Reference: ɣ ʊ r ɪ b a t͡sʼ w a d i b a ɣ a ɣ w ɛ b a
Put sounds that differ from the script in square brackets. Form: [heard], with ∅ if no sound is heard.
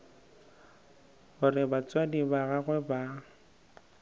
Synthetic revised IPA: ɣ ʊ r ɪ b a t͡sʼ w a d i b a ɣ a ɣ w ɛ b a